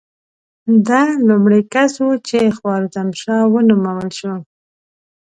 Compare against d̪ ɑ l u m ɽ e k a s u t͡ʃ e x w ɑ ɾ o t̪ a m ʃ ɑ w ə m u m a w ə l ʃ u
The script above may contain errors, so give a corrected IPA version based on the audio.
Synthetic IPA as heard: d̪ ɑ l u m ɽ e k a s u t͡ʃ e x w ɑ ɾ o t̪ a m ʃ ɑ w ə n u m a w ə l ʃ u